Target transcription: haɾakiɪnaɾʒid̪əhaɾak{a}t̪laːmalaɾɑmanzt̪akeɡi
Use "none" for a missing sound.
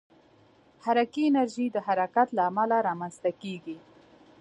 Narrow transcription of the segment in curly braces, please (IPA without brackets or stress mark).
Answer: a